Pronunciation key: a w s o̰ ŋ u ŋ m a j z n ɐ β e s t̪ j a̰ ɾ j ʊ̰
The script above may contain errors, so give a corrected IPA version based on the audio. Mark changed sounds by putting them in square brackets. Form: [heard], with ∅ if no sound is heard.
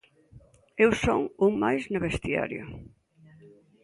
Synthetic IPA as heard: [e] w s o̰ ŋ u ŋ m a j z n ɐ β e s t̪ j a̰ ɾ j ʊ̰